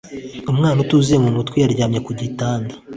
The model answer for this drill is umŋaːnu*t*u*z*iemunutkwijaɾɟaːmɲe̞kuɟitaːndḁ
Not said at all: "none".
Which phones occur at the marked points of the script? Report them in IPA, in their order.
t, z

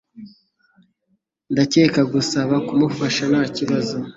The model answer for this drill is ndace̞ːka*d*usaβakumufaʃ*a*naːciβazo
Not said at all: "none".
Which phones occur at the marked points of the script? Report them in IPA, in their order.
ɡ, a

